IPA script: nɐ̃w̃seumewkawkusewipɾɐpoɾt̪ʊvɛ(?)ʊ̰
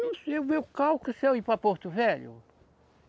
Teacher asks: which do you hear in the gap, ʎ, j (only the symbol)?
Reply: ʎ